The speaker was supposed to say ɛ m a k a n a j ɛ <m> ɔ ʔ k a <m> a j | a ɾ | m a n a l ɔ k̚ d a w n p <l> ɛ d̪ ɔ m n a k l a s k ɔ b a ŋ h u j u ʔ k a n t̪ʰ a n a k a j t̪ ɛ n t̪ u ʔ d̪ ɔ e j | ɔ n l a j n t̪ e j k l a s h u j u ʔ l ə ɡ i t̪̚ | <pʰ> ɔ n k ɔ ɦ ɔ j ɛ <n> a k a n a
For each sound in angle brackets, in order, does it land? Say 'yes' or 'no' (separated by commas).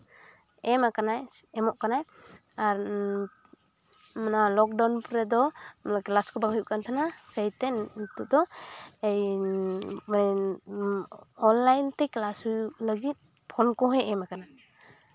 yes, no, no, yes, no